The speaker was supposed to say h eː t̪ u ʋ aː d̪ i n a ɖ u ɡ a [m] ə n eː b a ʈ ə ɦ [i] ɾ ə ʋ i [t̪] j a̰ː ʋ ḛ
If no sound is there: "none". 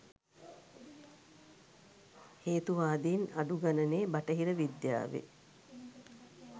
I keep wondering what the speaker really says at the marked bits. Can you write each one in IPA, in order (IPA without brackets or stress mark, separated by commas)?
n, i, d̪